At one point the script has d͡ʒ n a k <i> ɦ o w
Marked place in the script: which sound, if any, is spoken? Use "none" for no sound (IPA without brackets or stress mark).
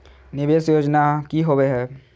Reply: i